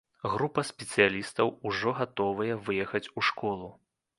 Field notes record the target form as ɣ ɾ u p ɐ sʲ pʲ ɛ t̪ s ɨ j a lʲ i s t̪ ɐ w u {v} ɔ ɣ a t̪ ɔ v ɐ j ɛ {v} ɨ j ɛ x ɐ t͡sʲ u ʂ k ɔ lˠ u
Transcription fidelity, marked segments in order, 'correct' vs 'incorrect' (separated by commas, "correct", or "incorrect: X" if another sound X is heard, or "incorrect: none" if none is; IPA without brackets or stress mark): incorrect: ʐ, correct